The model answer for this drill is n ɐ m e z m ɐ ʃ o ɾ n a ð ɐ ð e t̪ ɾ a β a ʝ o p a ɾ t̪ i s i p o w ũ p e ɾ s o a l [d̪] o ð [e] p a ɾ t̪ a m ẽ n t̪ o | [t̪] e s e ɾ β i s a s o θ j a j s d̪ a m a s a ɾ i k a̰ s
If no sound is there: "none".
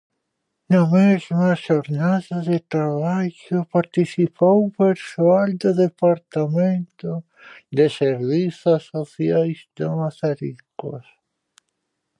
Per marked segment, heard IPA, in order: d̪, e, d̪

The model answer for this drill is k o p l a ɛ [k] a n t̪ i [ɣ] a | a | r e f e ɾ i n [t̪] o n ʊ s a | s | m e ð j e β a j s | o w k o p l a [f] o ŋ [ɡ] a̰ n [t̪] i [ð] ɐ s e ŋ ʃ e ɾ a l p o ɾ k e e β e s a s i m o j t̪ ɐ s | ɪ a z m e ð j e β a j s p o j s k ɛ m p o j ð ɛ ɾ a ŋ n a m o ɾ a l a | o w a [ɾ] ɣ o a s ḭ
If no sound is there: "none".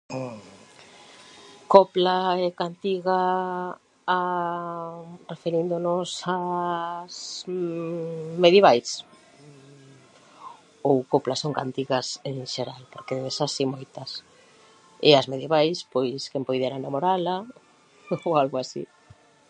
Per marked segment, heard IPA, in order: k, ɣ, d̪, s, k, t̪, ɣ, l

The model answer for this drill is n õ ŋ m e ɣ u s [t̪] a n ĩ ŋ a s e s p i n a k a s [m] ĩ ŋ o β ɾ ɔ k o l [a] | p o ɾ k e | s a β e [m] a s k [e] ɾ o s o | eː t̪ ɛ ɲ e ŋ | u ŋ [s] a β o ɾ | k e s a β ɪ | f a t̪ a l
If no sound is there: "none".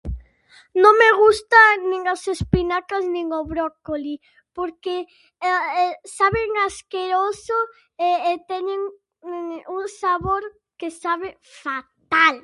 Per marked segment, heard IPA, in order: t̪, n, i, ŋ, e, s

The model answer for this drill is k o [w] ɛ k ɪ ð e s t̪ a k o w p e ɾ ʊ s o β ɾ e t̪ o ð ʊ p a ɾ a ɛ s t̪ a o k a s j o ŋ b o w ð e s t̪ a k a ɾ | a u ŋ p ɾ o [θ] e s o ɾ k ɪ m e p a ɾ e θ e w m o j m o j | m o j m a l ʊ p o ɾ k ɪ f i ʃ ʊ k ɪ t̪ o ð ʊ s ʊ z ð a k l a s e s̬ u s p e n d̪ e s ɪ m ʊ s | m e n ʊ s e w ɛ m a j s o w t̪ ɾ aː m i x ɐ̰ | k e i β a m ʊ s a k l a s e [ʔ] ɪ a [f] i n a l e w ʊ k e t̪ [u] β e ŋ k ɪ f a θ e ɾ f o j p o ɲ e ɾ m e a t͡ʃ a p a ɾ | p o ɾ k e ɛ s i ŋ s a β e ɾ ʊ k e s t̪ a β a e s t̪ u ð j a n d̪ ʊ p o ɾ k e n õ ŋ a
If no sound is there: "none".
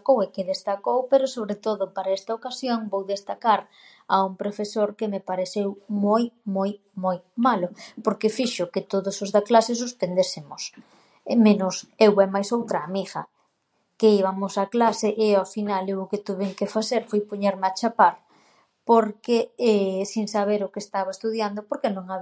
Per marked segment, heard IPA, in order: w, f, ʔ, f, u

